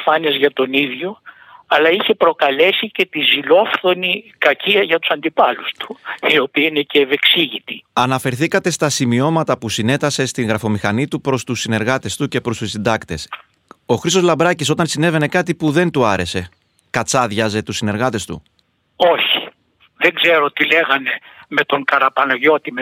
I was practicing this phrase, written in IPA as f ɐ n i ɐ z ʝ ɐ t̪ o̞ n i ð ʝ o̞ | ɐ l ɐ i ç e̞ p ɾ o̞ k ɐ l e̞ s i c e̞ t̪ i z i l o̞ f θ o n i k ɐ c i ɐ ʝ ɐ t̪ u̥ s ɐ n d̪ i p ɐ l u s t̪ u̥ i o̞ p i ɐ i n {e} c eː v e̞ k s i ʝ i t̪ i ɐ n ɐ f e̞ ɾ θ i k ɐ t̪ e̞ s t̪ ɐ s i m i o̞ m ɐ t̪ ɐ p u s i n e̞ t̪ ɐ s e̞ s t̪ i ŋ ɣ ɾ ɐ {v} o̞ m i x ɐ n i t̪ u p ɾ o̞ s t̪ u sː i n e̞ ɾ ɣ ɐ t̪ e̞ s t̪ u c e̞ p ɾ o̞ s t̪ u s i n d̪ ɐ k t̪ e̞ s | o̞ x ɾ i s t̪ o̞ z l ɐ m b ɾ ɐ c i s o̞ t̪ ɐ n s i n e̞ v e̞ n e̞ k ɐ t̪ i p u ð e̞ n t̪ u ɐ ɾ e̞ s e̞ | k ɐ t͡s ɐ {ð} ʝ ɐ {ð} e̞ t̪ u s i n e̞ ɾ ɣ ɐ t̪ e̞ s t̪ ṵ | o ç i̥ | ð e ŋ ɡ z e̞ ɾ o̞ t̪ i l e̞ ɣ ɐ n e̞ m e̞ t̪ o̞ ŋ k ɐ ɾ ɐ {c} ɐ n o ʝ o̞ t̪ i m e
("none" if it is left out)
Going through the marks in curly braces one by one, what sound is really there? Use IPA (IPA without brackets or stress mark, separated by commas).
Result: e, f, ð, z, p